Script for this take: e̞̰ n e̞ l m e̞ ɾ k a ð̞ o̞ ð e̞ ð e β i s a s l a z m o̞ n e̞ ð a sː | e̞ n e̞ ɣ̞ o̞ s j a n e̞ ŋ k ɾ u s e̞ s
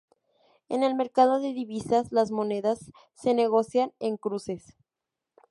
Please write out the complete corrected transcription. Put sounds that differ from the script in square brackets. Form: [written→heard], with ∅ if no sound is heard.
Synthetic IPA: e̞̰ n e̞ l m e̞ ɾ k a ð̞ o̞ ð e̞ ð [e→i] β i s a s l a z m o̞ n e̞ ð a sː | e̞ n e̞ ɣ̞ o̞ s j a n e̞ ŋ k ɾ u s e̞ s